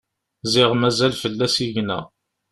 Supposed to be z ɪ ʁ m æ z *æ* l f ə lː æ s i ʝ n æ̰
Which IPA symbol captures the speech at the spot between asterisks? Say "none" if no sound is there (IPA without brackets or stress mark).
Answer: æ